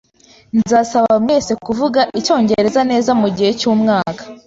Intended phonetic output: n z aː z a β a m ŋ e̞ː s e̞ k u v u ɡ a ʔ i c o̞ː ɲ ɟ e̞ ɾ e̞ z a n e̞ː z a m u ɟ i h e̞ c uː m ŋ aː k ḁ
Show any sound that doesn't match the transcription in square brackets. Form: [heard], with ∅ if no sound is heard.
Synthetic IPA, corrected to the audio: n z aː [s] a β a m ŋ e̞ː s e̞ k u v u ɡ a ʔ i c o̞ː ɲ ɟ e̞ ɾ e̞ z a n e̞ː z a m u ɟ i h e̞ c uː m ŋ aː k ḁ